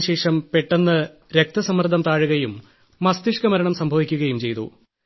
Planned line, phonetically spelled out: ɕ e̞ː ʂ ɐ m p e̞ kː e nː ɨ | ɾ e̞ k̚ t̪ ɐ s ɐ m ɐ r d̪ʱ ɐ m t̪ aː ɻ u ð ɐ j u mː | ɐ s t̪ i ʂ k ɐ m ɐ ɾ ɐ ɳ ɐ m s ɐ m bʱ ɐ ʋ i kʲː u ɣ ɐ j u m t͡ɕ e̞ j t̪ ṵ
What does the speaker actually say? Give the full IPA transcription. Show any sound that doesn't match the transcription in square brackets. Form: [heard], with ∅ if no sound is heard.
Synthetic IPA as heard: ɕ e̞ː ʂ ɐ m p e̞ [ʈː] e nː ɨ | ɾ e̞ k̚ t̪ ɐ s ɐ m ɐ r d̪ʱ ɐ m t̪ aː ɻ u [ɣ] ɐ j u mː | ɐ s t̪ i ʂ k ɐ m ɐ ɾ ɐ ɳ ɐ m s ɐ m bʱ ɐ ʋ i kʲː u ɣ ɐ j u m t͡ɕ e̞ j t̪ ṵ